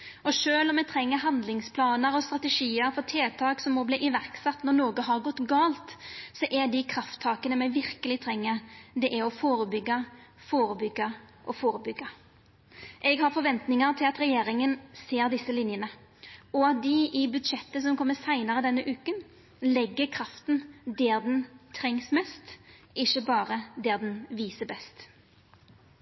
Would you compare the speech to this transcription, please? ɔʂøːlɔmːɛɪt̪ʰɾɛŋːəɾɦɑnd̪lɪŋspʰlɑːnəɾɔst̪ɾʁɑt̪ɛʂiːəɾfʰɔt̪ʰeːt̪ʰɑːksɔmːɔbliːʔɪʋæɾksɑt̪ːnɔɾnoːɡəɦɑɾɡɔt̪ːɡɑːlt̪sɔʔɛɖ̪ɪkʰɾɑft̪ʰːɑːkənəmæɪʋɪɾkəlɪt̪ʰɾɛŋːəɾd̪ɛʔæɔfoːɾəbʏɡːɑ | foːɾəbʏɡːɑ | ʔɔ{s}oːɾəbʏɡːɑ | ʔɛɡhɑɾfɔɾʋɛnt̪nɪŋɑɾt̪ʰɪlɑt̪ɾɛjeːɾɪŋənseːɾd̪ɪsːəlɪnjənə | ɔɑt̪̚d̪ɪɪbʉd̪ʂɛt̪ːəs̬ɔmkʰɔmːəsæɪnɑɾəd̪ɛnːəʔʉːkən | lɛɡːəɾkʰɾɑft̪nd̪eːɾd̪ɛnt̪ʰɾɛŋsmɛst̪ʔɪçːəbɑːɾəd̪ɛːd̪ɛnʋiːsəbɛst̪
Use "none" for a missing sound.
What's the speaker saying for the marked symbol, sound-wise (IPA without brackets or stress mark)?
f